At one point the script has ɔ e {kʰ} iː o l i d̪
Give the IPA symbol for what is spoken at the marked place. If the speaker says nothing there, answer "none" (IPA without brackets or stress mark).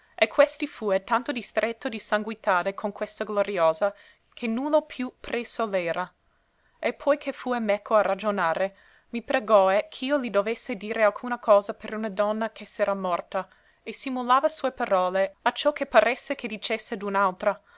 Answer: kʰ